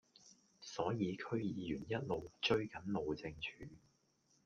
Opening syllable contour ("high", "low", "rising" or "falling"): rising